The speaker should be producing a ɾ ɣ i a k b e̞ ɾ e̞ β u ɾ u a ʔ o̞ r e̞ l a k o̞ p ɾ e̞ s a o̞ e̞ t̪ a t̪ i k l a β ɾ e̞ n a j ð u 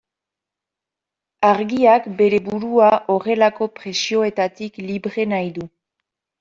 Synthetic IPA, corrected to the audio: a ɾ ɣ i a k b e̞ ɾ e̞ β u ɾ u a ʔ o̞ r e̞ l a k o̞ p ɾ e̞ s i o̞ e̞ t̪ a t̪ i k l i β ɾ e̞ n a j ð u